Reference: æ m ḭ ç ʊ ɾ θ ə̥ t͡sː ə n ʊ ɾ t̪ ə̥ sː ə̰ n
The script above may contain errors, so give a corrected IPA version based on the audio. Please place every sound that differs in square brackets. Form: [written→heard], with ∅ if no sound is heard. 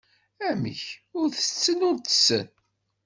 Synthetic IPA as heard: æ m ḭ ç ʊ ɾ θ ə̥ t͡sː ə n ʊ ɾ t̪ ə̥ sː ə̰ n